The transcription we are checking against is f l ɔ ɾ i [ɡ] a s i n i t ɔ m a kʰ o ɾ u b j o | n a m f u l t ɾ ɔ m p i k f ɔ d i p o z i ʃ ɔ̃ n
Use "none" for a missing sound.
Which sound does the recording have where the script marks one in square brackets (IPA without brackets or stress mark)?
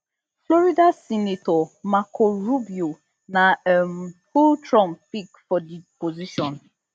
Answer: d